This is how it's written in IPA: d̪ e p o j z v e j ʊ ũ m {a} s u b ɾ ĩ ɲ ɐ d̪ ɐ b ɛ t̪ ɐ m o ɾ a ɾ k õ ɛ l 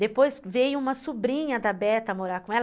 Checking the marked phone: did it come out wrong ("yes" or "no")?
yes